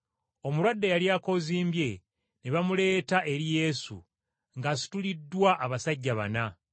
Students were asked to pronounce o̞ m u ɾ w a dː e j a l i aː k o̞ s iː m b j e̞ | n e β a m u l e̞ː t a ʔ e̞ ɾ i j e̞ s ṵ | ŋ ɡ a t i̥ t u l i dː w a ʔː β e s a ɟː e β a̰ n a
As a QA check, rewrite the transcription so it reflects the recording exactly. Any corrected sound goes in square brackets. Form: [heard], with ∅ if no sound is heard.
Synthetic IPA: o̞ m u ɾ w a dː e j a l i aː k o̞ [z] iː m b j e̞ | n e β a m u l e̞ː t a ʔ e̞ ɾ i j e̞ s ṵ | ŋ ɡ a [s] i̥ t u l i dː w a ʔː β [a] s a ɟː [a] β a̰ n a